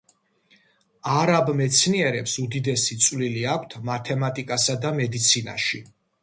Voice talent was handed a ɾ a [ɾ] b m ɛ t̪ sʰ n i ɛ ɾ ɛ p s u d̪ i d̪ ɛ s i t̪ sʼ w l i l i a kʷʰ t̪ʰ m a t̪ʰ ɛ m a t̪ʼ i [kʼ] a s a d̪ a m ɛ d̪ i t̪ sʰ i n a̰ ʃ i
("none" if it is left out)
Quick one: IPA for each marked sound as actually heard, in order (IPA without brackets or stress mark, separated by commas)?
none, kʼ